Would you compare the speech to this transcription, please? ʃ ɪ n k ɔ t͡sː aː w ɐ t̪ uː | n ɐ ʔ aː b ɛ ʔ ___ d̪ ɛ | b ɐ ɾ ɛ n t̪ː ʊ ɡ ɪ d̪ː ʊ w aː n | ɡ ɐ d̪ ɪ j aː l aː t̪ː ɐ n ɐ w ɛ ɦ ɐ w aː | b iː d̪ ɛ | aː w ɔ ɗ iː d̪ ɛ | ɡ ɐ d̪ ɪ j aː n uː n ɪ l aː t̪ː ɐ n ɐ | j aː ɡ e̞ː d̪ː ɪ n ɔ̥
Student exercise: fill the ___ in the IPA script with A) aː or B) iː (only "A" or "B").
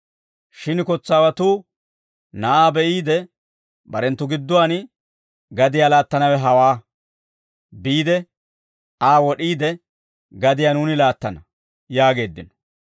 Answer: B